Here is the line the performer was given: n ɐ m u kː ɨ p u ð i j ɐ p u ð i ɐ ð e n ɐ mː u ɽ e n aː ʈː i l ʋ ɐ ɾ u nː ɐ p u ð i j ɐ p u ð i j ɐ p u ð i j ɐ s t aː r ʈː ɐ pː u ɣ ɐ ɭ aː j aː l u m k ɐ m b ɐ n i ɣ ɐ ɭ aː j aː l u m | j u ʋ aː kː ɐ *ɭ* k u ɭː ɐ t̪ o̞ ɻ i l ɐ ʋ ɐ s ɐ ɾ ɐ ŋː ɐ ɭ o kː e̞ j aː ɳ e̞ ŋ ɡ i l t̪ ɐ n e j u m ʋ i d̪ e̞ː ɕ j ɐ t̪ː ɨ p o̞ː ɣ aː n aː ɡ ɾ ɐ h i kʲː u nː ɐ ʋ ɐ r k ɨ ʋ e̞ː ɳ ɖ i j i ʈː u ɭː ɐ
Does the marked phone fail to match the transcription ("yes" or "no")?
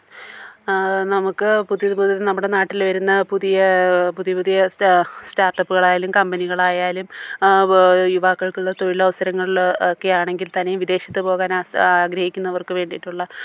no